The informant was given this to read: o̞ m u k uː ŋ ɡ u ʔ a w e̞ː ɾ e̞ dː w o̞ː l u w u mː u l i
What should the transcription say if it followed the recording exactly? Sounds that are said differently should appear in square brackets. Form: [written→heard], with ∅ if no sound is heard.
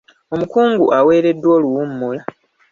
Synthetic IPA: o̞ m u k uː ŋ ɡ u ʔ a w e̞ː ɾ e̞ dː w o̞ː l u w u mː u l [i→a]